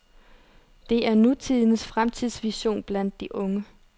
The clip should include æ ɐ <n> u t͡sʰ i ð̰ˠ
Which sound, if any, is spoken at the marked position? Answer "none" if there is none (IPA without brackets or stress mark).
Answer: n